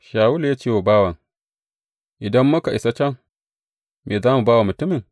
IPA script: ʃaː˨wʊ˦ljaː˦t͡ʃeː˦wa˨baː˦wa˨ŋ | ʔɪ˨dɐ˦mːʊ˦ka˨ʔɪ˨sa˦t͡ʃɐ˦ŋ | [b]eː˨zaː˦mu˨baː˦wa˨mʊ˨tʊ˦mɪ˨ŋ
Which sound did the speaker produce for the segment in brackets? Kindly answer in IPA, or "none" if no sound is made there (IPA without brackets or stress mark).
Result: m